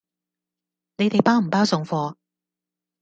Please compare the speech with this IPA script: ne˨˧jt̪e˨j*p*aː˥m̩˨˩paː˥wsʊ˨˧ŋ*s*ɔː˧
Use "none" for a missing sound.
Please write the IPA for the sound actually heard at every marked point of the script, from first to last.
p, f

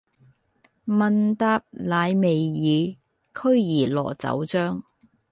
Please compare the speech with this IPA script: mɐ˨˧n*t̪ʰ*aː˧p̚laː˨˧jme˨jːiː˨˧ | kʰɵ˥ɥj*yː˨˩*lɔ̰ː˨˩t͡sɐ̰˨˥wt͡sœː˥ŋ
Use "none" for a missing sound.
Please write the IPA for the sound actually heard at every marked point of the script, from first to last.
t̪, iː˨˩

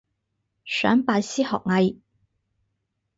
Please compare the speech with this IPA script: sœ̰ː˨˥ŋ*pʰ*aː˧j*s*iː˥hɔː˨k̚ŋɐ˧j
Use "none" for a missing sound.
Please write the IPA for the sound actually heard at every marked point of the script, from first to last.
p, s

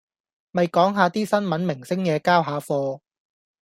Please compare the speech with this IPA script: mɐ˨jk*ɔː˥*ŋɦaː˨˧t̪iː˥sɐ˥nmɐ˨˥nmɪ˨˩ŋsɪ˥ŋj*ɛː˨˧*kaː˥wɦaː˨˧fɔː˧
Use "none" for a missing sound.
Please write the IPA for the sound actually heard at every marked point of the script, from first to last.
ɔː˨˥, ɛː˨˧

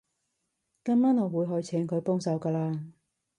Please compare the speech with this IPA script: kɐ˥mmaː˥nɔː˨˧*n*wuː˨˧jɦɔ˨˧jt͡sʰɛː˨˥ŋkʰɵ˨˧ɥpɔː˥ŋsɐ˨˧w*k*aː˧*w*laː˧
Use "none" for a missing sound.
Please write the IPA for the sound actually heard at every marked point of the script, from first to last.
none, k, none

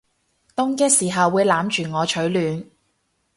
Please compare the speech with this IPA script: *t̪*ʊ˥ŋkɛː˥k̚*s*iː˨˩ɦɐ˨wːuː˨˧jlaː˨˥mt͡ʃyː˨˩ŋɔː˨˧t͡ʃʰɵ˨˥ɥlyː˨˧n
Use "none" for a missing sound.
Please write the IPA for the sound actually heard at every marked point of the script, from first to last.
t̪, s

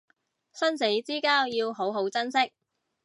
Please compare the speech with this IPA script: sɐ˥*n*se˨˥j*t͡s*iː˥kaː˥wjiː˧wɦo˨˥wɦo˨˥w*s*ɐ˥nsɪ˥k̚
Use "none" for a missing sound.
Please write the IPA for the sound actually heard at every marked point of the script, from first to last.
n, t͡s, t͡s

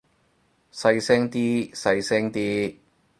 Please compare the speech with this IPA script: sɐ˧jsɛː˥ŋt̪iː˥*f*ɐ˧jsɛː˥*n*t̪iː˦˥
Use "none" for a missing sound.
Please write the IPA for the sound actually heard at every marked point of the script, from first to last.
s, ŋ

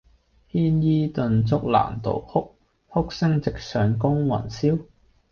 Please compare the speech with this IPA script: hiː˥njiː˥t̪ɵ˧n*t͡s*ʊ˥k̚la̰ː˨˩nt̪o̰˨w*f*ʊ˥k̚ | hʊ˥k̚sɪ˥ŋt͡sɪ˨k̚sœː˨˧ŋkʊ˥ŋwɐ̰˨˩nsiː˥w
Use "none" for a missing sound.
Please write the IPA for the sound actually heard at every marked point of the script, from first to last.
t͡s, h

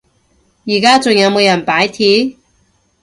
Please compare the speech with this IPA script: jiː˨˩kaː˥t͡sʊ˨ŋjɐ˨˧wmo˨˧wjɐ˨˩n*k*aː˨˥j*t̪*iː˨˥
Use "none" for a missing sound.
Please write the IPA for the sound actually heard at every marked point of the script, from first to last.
p, t̪ʰ

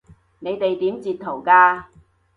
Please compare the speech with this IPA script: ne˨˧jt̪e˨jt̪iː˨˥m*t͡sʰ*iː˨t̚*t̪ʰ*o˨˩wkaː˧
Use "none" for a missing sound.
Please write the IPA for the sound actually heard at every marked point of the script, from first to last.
t͡s, t̪ʰ

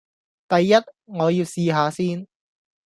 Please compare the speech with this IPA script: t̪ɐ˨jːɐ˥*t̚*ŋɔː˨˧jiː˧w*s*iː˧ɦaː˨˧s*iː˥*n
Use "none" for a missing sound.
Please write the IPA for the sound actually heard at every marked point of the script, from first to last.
t̚, s, iː˥

